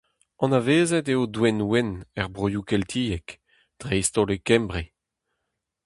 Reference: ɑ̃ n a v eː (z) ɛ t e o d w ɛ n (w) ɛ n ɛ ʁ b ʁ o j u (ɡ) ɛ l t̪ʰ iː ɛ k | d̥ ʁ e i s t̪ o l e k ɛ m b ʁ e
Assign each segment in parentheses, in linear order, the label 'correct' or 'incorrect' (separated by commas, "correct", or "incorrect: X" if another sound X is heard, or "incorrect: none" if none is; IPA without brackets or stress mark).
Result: correct, correct, incorrect: k